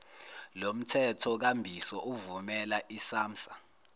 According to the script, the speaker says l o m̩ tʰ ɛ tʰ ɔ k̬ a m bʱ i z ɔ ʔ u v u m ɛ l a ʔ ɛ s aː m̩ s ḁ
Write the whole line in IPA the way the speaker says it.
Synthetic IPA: l o m̩ tʰ ɛ tʰ ɔ k̬ a m bʱ i s ɔ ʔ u v u m ɛ l a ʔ i s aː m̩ s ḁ